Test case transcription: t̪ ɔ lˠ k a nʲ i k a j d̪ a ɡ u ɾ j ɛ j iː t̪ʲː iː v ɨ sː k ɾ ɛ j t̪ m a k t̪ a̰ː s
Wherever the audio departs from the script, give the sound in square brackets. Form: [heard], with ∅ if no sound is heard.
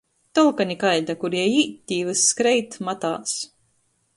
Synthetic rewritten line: t̪ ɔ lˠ k a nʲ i k a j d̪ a [k] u ɾ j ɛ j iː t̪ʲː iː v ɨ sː k ɾ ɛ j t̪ m a [∅] t̪ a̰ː s